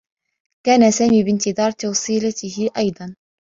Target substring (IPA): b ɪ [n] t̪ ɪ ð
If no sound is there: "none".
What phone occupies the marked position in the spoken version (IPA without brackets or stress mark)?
n